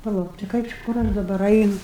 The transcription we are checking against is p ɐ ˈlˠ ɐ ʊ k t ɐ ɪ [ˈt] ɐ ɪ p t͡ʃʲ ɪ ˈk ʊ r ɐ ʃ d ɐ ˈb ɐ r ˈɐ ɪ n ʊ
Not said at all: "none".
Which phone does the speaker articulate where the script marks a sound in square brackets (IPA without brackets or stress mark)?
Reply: k